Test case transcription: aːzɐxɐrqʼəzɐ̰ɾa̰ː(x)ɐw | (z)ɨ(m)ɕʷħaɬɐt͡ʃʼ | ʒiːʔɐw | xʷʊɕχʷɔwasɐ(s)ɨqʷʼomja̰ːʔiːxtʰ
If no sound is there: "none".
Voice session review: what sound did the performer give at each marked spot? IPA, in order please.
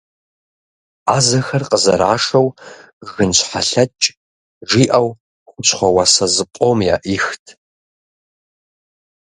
ʂ, ɣ, n, z

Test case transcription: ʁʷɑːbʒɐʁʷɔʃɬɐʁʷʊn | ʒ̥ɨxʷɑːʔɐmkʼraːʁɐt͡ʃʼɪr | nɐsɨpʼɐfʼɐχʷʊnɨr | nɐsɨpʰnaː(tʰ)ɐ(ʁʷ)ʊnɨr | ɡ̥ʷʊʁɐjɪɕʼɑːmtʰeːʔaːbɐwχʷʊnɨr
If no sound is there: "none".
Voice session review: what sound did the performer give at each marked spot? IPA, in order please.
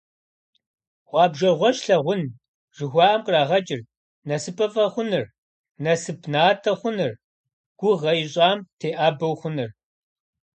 tʰ, χʷ

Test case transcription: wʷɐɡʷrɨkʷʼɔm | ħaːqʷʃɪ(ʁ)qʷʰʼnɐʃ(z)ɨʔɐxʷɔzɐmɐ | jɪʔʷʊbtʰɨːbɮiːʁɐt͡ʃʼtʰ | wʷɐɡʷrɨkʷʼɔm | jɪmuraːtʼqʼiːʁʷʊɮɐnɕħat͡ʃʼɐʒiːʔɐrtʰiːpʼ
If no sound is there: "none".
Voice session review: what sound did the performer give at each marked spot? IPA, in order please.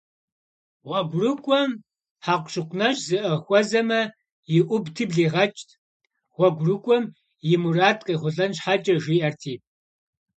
none, z

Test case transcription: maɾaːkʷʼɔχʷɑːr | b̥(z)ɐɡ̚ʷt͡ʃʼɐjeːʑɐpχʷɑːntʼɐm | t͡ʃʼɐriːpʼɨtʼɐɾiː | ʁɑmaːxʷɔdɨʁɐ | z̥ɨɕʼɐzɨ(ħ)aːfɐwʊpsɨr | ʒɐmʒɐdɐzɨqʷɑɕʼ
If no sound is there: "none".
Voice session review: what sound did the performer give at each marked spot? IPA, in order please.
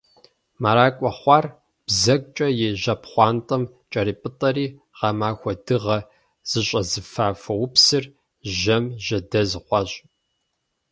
z, f

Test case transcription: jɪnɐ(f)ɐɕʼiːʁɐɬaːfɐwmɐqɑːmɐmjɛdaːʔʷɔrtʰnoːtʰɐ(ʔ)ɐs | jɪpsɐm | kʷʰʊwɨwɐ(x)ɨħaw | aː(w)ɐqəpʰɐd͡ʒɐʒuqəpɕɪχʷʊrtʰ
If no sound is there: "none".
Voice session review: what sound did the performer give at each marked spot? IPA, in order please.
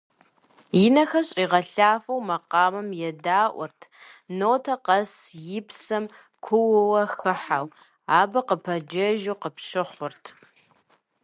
x, q, x, b

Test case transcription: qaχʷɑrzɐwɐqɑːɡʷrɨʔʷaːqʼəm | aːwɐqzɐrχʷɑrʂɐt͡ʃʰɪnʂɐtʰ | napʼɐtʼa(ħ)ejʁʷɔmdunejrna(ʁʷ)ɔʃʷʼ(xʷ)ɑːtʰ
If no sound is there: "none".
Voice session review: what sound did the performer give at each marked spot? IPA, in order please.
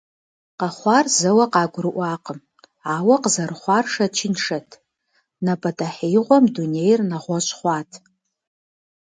ħ, ʁʷ, χʷ

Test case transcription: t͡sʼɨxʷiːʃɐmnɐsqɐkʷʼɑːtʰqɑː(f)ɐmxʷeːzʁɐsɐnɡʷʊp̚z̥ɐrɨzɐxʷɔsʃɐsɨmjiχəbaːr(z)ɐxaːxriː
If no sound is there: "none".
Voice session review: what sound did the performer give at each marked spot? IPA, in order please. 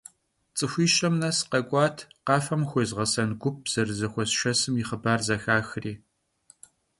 f, z

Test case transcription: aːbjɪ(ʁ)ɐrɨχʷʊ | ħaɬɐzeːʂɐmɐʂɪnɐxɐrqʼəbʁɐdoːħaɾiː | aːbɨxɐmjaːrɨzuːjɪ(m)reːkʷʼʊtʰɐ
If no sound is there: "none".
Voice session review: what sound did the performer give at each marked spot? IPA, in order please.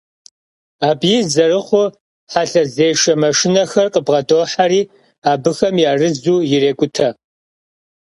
z, none

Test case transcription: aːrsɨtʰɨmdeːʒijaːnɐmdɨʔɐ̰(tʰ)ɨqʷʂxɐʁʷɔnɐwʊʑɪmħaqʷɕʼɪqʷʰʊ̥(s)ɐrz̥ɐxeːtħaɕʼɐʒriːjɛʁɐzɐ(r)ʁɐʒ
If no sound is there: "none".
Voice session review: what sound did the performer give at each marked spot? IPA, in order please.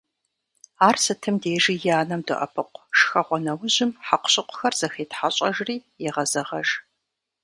pʰ, x, none

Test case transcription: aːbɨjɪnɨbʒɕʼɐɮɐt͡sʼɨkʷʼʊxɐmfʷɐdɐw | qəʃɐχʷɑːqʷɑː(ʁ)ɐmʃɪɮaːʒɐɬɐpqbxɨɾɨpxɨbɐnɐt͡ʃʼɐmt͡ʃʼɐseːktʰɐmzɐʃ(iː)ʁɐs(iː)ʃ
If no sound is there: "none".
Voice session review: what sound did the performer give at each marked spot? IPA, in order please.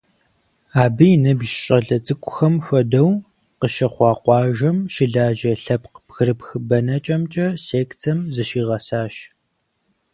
ʒ, iː, aː

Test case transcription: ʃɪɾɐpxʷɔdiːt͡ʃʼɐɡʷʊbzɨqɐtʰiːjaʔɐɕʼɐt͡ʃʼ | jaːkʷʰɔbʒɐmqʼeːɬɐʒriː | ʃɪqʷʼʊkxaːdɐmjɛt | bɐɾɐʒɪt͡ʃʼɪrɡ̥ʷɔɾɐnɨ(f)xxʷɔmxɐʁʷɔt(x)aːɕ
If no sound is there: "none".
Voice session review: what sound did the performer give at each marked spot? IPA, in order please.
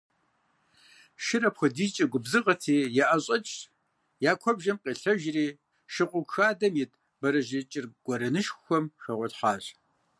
ʃ, ħ

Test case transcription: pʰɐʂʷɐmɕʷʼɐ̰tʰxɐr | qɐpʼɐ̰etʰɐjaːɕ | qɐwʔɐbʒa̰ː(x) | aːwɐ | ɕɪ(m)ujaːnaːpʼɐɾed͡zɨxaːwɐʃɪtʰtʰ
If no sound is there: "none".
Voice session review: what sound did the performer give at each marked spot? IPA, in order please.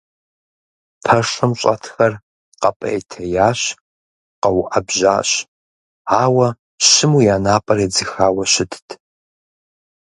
ɕ, m

